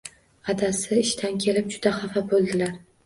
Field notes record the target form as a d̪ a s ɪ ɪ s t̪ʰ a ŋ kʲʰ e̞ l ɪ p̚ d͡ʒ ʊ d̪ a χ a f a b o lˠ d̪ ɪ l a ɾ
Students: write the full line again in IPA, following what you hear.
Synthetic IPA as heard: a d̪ a s ɪ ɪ ʃ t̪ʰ a n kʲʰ e̞ l ɪ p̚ d͡ʒ ʊ d̪ a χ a f a b o lˠ d̪ ɪ l a ɾ